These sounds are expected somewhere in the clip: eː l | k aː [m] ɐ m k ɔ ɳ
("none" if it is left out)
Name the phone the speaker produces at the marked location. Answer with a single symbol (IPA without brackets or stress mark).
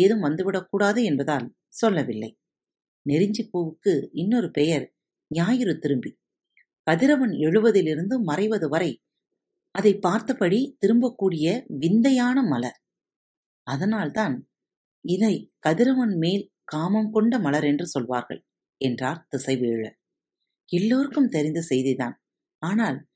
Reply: m